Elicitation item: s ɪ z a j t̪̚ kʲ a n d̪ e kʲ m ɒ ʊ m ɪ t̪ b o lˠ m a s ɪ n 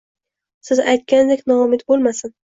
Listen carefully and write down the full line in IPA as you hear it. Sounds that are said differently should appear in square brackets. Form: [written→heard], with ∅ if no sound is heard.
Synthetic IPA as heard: s ɪ z a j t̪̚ kʲ a n d̪ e kʲ [m→n] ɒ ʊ m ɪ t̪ b o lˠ m a s ɪ n